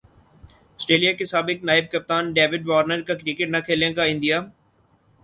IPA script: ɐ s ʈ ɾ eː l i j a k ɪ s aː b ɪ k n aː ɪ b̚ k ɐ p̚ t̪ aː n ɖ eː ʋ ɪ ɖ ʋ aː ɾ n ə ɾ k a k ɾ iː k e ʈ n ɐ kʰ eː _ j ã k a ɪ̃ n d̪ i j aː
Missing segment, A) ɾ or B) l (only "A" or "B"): B